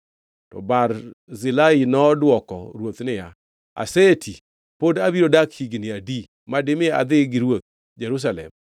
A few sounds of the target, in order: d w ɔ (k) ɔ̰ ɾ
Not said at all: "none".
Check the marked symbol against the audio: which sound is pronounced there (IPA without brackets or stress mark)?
k